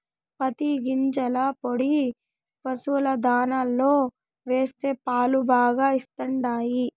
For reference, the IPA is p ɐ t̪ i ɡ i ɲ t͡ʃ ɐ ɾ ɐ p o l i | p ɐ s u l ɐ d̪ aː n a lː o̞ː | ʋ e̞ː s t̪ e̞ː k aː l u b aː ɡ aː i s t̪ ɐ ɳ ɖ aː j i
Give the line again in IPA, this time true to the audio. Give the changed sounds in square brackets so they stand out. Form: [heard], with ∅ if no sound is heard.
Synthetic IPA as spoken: p ɐ t̪ i ɡ i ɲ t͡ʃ ɐ [l] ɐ p o [ɽ] i | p ɐ s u l ɐ d̪ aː n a lː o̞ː | ʋ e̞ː s t̪ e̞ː [p] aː l u b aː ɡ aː i s t̪ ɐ ɳ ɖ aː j i